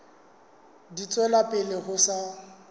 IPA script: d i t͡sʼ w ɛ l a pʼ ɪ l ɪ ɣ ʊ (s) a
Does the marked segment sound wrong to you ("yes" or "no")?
no